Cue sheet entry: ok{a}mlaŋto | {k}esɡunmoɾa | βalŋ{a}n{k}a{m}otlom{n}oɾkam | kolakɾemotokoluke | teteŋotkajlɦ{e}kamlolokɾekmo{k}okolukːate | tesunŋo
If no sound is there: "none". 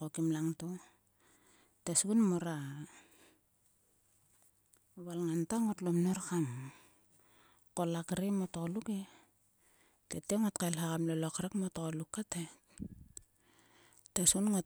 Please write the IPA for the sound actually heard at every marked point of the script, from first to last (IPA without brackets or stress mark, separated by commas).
i, t, a, t, ŋ, n, a, t